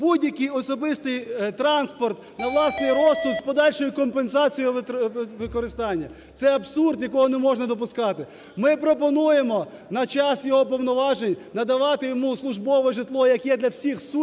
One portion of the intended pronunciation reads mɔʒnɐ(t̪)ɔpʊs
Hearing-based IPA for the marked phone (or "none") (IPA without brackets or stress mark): d̪